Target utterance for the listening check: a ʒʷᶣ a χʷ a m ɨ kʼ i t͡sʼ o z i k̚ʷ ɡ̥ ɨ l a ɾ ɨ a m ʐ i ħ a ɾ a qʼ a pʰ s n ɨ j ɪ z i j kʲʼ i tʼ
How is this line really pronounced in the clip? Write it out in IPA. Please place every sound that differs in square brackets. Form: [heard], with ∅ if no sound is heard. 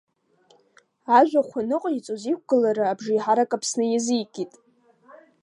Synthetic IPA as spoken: a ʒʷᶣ a χʷ a [n] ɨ [qʼ] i t͡sʼ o z i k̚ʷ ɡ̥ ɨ l a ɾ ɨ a [b] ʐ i ħ a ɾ a [kʼ] a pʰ s n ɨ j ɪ z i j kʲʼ i tʼ